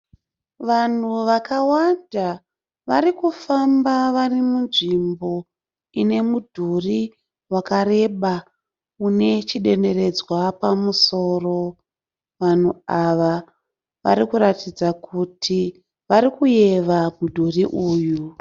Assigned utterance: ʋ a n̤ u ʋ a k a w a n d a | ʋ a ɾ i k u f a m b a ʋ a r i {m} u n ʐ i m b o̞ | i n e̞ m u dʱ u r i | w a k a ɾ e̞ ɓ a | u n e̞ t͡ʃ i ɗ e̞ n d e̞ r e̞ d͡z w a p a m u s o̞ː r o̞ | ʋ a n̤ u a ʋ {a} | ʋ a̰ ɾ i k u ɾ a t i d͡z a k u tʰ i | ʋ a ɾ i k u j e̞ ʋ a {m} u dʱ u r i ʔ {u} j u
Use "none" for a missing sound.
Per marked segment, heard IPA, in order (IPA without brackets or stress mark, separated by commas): m, a, m, uː